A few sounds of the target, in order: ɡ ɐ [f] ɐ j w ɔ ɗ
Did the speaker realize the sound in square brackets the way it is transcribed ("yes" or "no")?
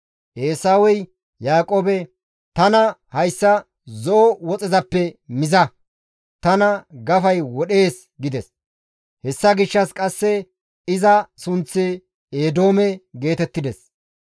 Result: yes